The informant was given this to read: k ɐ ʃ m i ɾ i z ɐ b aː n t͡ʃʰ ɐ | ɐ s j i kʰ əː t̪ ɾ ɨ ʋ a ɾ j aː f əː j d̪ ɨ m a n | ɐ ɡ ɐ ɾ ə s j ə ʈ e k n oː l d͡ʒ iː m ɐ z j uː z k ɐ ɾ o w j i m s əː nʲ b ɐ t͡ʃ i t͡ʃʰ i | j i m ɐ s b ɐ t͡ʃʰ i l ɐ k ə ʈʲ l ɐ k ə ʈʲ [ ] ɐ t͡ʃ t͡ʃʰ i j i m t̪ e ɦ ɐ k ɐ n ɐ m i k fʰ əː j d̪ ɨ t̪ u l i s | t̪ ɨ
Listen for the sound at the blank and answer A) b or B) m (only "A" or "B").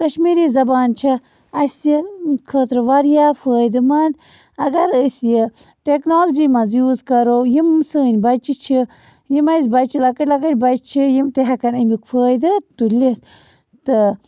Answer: A